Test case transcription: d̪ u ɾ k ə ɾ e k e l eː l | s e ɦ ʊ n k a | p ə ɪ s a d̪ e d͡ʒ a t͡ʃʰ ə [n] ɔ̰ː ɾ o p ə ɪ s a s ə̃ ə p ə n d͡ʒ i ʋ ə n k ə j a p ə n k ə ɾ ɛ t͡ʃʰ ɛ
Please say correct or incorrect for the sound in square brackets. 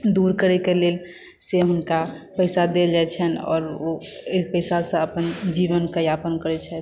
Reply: correct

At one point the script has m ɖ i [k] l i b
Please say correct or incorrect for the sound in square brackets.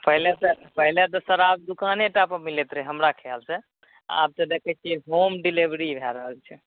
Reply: incorrect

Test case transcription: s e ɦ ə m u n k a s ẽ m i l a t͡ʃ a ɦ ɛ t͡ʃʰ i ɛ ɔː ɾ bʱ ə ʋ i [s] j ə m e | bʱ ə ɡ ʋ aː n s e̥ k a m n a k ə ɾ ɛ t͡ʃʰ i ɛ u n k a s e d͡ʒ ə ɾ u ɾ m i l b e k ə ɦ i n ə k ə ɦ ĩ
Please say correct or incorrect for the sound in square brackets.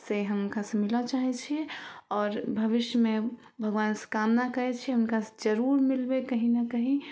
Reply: incorrect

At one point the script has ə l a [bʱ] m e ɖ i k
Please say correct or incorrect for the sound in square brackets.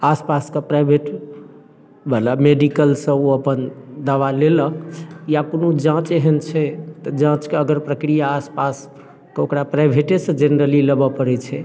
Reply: incorrect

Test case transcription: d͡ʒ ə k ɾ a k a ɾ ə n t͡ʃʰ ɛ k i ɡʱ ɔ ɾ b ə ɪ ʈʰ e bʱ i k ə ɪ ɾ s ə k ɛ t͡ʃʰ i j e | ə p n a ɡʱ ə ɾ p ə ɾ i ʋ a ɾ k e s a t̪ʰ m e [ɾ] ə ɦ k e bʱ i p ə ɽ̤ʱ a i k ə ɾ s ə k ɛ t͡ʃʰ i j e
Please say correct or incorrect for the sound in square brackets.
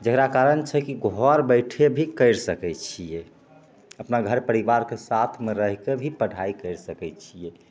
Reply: correct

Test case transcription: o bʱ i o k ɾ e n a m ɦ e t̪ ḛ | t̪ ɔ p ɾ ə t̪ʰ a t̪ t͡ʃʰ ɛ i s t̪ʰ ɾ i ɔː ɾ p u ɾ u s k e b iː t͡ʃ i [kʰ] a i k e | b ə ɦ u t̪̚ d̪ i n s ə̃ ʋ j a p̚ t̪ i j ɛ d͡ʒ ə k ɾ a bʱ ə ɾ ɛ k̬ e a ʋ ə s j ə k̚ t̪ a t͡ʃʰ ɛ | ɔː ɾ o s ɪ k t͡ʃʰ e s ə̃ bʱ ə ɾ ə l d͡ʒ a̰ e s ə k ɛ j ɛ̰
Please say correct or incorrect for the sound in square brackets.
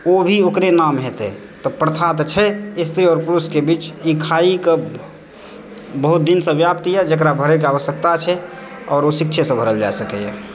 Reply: correct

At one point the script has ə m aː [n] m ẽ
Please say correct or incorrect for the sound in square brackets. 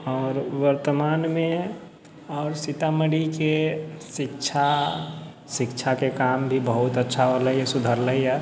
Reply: correct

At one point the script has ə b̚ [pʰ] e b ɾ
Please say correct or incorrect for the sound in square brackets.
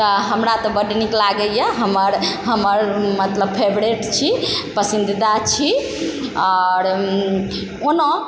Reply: correct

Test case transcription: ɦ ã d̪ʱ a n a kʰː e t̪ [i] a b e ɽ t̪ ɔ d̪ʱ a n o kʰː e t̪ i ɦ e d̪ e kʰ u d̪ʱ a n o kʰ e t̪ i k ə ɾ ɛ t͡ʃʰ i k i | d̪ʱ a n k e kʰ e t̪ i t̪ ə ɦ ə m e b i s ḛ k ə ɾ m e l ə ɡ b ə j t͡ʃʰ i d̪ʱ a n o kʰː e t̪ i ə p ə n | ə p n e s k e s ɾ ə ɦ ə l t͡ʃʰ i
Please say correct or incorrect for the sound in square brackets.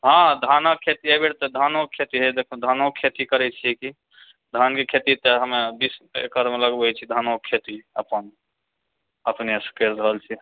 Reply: correct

